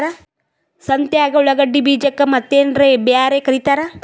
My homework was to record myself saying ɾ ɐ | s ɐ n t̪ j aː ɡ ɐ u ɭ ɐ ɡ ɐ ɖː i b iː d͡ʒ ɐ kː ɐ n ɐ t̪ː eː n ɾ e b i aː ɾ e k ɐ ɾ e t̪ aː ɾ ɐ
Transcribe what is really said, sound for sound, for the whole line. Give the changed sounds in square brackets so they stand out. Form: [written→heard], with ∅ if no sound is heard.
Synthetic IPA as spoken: ɾ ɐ | s ɐ n t̪ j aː ɡ ɐ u ɭ ɐ ɡ ɐ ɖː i b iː d͡ʒ ɐ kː ɐ [n→m] ɐ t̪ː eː n ɾ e b [i→j] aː ɾ e k ɐ ɾ [e→i] t̪ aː ɾ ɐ